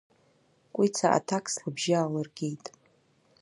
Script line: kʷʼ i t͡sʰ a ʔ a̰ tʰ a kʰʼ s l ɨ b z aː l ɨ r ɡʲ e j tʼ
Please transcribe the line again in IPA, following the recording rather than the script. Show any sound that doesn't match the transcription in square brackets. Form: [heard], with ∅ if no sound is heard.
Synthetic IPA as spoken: kʷʼ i t͡sʰ a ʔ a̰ tʰ a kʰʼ s l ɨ b [ʒ] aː l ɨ r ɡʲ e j tʼ